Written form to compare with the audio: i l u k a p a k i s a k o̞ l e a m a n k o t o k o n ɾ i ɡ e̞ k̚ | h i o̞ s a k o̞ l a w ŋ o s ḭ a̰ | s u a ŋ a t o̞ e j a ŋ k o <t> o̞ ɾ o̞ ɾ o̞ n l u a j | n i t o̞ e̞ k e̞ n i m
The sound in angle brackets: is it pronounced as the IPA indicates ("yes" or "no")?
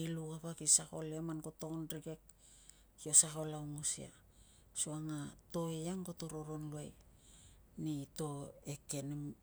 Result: yes